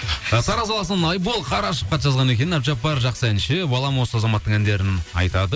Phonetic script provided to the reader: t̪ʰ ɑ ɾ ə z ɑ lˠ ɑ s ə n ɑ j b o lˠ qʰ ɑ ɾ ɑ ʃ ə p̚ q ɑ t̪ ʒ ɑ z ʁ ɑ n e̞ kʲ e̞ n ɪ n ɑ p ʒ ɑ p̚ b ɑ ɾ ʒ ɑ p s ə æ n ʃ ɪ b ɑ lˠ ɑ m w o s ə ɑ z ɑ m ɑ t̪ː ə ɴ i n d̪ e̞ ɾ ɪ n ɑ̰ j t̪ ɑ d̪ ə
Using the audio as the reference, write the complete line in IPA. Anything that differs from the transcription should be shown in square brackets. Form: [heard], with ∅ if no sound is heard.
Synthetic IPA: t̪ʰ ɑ ɾ [ɑ] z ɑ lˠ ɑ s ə n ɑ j b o lˠ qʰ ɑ ɾ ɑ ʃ ə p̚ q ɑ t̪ ʒ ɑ z ʁ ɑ n e̞ kʲ e̞ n ɪ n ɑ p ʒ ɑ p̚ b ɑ ɾ ʒ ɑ [q] s ə æ n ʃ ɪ b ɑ lˠ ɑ m w o s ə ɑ z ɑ m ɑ t̪ː ə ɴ [æ] n d̪ e̞ ɾ ɪ n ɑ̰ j t̪ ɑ d̪ ə